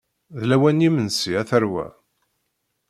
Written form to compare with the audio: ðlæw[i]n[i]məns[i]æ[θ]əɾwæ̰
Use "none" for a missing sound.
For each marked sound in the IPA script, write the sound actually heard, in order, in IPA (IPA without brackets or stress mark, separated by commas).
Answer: æ, i, i, θ